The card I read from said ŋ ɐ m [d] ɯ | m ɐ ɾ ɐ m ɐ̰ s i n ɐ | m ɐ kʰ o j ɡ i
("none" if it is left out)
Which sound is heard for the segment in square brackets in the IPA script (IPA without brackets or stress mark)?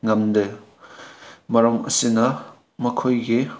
d